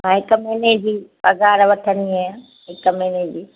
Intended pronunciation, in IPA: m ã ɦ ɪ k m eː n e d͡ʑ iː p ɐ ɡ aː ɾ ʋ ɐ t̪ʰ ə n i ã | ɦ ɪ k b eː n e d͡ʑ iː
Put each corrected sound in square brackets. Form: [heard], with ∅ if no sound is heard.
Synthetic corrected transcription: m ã ɦ ɪ k m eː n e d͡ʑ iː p ɐ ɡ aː ɾ ʋ ɐ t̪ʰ ə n i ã | ɦ ɪ k [m] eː n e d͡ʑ iː